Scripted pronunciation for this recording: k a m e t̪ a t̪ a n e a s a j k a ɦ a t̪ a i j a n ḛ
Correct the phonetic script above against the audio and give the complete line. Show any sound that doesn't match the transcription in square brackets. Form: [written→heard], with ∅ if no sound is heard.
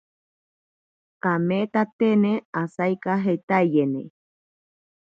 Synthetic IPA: k a m e t̪ a t̪ [a→e] n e a s a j k a ɦ [a→e] t̪ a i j [a→e] n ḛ